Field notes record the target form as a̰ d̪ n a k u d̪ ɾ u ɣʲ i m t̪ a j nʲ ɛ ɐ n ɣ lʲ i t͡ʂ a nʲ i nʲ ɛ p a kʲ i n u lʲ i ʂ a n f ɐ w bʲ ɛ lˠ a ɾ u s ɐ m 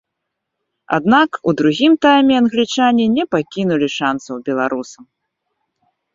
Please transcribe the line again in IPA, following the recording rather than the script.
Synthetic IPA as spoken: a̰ d̪ n a k u d̪ ɾ u ɣʲ i m t̪ a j mʲ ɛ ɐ n ɣ lʲ i t͡ʂ a nʲ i nʲ ɛ p a kʲ i n u lʲ i ʂ a n s ɐ w bʲ ɛ lˠ a ɾ u s ɐ m